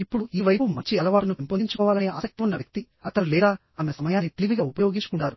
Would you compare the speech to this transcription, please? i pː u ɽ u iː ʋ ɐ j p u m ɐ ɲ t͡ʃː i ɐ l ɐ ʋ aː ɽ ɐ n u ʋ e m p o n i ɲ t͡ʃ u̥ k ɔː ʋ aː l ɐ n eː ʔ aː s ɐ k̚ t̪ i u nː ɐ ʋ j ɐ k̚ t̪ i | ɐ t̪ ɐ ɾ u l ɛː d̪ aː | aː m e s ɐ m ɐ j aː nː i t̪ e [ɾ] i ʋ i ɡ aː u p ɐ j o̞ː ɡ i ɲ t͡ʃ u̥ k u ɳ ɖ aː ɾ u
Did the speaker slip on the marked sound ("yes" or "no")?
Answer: yes